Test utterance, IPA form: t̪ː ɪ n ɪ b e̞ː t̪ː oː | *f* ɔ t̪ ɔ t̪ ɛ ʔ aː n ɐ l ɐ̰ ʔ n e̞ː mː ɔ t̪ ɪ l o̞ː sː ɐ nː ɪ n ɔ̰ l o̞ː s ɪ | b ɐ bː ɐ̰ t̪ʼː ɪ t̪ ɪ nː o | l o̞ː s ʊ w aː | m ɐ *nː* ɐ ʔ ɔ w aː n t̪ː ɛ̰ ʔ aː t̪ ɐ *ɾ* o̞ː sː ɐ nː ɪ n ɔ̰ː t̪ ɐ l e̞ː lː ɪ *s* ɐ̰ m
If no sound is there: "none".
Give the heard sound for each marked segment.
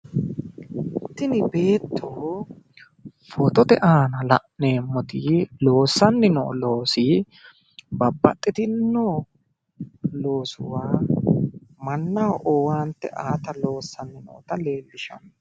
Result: f, nː, l, ʃ

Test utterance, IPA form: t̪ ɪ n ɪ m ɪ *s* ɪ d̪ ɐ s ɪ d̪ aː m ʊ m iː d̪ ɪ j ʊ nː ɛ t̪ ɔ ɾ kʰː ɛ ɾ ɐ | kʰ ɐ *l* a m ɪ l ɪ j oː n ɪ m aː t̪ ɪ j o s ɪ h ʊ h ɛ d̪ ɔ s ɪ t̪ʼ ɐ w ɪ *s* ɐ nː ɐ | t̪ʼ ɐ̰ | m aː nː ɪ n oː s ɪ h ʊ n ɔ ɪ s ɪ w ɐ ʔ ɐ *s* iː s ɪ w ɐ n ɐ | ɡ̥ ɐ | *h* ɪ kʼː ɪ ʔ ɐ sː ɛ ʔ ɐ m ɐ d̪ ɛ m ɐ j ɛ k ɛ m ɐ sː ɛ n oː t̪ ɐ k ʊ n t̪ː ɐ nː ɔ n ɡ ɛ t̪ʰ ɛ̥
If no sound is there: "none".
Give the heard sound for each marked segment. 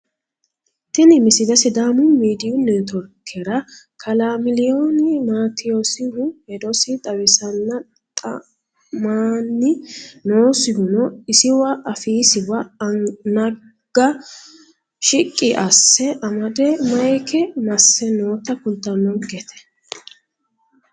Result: s, l, s, f, ʃ

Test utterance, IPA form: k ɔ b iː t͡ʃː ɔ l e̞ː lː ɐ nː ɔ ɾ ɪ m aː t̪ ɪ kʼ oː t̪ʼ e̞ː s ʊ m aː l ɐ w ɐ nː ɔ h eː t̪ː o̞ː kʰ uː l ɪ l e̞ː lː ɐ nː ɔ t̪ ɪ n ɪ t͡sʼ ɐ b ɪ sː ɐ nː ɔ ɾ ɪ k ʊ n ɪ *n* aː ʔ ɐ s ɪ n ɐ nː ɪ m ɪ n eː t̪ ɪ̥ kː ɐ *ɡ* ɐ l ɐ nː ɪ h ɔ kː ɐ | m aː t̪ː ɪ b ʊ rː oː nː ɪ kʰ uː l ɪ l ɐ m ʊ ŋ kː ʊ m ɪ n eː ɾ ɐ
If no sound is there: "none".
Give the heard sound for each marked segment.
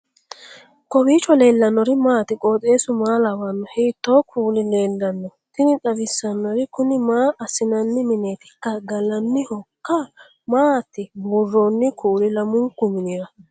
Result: m, ɡ

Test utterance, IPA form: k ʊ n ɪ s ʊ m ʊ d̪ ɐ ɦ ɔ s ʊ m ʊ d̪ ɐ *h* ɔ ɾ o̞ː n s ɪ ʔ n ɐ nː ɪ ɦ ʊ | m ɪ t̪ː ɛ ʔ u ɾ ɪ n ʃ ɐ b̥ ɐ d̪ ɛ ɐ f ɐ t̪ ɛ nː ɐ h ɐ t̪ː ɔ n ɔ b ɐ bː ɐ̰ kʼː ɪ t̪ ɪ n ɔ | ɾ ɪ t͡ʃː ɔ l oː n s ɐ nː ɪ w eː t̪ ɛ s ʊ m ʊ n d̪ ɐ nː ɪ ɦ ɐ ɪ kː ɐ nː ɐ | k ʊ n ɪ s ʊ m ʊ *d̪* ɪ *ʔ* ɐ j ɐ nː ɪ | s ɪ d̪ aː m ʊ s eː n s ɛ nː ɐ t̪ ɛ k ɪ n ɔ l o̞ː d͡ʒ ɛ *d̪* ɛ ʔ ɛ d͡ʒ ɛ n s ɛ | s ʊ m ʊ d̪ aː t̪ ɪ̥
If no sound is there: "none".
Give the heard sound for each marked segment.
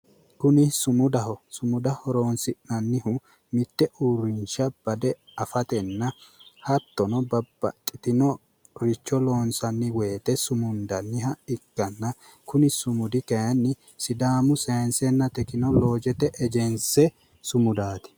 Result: h, d̪, k, t̪

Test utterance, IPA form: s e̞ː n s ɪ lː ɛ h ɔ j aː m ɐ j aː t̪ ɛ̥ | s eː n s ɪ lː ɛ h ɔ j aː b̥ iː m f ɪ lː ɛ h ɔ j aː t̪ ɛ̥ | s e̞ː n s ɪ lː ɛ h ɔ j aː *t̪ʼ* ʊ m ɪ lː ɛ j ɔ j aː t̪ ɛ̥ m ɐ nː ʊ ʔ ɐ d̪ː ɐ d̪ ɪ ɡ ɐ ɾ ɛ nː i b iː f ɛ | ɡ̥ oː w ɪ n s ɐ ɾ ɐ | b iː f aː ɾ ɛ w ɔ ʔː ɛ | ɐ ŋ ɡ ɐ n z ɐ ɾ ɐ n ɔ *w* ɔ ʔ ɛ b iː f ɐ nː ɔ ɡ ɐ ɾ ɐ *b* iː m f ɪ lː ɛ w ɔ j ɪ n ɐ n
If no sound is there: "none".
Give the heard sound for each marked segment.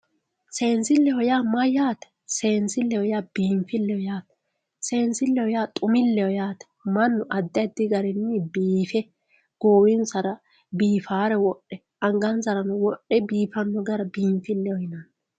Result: t̪ʼ, w, b

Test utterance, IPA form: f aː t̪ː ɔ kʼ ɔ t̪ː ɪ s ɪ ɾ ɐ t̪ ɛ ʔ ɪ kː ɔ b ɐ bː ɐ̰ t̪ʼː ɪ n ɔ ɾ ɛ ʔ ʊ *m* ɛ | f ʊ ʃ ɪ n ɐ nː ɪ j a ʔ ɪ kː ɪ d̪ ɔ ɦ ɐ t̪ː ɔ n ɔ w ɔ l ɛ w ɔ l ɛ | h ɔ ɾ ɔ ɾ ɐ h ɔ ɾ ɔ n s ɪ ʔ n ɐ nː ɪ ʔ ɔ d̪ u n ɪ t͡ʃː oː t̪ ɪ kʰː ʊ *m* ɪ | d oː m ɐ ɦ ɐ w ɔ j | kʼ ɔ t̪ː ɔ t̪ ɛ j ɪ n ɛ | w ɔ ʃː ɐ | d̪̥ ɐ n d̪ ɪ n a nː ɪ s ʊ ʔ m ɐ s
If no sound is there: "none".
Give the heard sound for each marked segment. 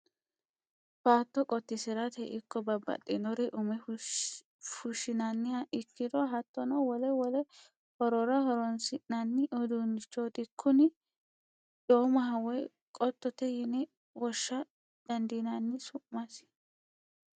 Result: m, n

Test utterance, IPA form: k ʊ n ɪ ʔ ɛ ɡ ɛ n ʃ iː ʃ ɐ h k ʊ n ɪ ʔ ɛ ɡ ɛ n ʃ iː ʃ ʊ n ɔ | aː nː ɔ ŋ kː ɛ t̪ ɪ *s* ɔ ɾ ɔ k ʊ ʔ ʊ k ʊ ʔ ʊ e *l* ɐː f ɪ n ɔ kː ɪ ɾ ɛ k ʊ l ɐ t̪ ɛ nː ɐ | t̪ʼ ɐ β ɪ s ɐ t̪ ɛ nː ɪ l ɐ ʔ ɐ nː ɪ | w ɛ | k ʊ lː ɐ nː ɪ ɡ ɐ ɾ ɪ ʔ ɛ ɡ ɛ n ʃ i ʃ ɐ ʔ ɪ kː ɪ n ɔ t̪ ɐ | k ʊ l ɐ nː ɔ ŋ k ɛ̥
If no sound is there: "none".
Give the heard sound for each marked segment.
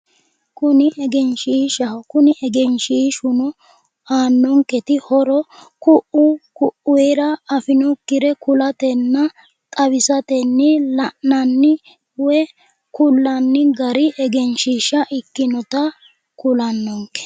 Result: h, ɾ

